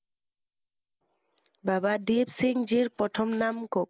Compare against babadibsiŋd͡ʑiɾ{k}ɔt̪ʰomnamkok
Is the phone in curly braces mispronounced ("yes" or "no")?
yes